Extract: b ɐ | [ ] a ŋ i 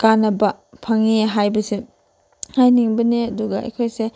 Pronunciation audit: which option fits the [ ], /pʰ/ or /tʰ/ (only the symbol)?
pʰ